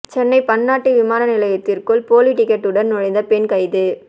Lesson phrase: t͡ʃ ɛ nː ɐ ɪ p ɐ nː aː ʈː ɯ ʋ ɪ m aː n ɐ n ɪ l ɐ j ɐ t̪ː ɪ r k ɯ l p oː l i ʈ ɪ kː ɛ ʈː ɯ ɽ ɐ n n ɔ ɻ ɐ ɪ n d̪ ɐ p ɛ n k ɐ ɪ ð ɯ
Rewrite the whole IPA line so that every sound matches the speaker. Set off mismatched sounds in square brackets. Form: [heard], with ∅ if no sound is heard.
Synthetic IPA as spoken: t͡ʃ ɛ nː ɐ ɪ p ɐ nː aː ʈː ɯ ʋ ɪ m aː n ɐ n ɪ l ɐ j ɐ t̪ː ɪ r k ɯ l p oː l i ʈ ɪ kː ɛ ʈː ɯ ɽ ɐ n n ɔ ɻ ɐ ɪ n d̪ ɐ p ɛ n k ɐ ɪ ð ɯ